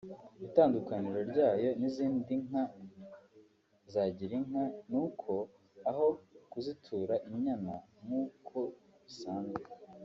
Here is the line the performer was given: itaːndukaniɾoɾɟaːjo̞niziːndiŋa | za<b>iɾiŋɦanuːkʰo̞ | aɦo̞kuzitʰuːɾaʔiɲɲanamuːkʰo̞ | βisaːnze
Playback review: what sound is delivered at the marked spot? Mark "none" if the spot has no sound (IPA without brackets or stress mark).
ɟ